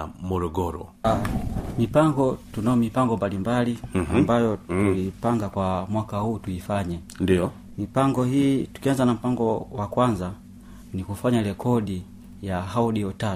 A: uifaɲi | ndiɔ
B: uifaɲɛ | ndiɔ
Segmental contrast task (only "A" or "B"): B